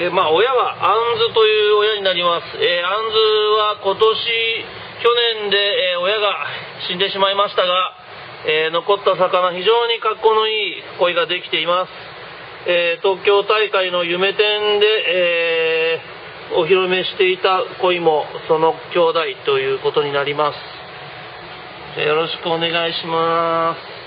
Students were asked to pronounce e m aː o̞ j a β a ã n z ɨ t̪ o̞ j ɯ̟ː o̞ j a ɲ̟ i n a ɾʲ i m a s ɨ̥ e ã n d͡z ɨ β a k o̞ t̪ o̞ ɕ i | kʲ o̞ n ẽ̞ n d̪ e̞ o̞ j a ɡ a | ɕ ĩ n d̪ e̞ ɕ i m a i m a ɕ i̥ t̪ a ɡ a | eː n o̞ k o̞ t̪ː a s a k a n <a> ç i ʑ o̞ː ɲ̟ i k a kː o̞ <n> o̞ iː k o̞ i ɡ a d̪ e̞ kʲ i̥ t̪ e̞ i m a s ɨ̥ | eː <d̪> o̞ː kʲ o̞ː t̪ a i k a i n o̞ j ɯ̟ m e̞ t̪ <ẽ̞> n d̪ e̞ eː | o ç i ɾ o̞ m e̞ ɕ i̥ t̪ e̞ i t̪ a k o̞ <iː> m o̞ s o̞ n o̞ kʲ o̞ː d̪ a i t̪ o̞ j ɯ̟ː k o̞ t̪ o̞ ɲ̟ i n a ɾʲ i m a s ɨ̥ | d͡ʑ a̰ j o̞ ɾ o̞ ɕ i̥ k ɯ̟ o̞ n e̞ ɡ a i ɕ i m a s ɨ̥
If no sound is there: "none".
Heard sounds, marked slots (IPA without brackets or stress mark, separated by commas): a, n, t̪, ẽ̞, i